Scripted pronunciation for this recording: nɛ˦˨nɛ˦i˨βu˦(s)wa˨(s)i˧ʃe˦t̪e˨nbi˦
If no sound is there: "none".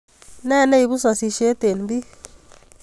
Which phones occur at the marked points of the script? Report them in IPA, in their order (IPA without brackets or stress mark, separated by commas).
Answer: s, s